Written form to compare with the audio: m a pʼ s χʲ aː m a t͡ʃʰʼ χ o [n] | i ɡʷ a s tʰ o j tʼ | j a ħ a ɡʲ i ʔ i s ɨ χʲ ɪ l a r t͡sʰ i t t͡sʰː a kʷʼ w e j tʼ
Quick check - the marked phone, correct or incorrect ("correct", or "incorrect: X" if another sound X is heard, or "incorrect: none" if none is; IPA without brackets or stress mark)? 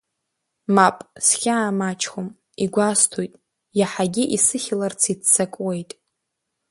incorrect: m